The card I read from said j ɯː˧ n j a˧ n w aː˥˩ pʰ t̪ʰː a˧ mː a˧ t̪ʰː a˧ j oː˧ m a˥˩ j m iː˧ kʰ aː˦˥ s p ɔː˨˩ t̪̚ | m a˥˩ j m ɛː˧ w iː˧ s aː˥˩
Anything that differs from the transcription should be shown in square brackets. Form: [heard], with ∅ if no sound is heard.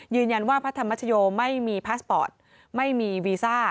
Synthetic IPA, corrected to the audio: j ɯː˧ n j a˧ n w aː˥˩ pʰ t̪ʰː a˧ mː [a˦˥] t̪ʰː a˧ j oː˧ m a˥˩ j m iː˧ [pʰ] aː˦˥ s p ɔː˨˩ t̪̚ | m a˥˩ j m [iː˧] w iː˧ s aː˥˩